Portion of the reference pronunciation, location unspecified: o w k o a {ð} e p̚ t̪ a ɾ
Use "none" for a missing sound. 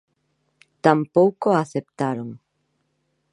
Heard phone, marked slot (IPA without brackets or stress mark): θ